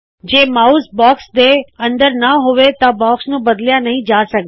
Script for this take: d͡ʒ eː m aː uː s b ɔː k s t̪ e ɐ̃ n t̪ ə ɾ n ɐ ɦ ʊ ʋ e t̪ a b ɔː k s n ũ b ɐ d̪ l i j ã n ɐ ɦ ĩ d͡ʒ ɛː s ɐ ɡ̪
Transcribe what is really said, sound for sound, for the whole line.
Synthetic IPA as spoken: d͡ʒ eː m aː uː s b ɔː k s d̪ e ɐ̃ n d̪ ə ɾ n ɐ ɦ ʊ ʋ e t̪ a b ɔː k s n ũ b ɐ d̪ l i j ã n ɐ ɦ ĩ d͡ʒ aː s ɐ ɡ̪